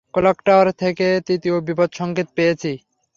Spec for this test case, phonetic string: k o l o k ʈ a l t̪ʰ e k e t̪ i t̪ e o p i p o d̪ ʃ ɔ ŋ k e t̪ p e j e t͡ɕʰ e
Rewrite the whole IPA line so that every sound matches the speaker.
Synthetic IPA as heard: k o l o k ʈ a ɾ t̪ʰ e k e t̪ i t̪ i o b i p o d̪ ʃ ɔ ŋ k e t̪ p e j e t͡ɕʰ i